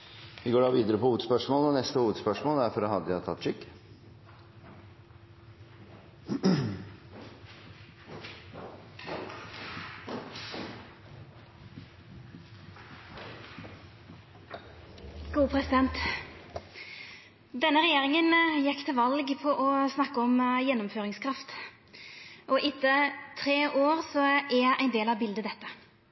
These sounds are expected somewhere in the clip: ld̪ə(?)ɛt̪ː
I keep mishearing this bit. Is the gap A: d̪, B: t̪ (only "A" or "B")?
A